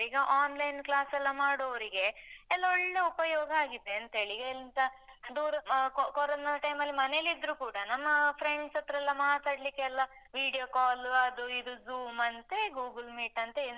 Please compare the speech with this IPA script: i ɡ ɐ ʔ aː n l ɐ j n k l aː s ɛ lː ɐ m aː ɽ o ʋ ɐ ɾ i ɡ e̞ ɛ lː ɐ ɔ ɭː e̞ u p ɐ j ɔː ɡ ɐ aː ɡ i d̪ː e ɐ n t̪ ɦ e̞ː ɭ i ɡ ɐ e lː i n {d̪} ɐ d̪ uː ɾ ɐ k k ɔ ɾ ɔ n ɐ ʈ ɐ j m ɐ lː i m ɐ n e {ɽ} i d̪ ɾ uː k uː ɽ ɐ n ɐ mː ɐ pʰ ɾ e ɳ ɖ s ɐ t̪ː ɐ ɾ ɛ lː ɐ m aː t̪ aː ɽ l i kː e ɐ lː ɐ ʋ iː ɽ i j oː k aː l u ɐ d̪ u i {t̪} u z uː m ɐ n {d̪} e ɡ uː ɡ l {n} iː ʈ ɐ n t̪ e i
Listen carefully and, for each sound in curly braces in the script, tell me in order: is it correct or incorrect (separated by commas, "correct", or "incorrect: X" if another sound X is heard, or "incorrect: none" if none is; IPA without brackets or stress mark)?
incorrect: t̪, incorrect: l, incorrect: d̪, incorrect: t̪, incorrect: m